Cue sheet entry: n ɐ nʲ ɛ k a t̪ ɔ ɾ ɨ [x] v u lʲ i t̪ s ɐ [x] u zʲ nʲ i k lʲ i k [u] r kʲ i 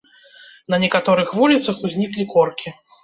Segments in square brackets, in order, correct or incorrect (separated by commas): correct, correct, incorrect